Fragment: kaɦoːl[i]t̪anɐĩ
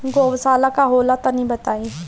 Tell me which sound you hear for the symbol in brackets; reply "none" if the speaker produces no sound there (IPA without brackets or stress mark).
a